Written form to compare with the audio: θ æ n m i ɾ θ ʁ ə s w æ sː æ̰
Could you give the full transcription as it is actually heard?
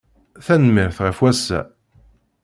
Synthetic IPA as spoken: θ æ n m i ɾ θ ʁ ə f w æ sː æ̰